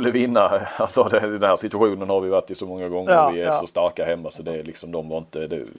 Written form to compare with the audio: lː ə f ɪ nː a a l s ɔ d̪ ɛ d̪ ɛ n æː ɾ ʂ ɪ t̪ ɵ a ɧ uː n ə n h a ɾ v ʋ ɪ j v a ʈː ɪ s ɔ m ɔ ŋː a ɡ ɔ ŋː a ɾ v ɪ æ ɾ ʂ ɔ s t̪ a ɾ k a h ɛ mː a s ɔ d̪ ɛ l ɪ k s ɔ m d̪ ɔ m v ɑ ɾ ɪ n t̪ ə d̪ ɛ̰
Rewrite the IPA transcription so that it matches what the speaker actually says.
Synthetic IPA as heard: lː ə v ɪ nː a a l s ɔ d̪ ɛ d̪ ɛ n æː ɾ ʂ ɪ t̪ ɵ a ɧ uː n ə n h a ɾ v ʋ ɪ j v a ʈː ɪ s ɔ m ɔ ŋː a ɡ ɔ ŋː ə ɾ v ɪ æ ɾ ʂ ɔ s t̪ a ɾ k a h ɛ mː a s ɔ d̪ ɛ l ɪ k s ɔ m d̪ ɔ m v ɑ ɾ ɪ n t̪ ə d̪ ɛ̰